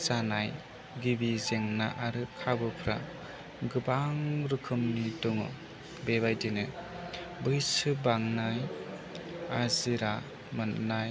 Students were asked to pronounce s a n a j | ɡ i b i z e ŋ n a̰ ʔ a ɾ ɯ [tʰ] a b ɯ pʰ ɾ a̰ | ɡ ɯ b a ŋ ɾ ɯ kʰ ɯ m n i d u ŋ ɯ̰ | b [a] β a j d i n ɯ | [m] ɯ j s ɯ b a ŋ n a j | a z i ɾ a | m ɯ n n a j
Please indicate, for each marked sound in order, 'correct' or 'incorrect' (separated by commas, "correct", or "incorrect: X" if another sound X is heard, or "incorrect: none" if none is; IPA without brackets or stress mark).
incorrect: kʰ, incorrect: e, incorrect: b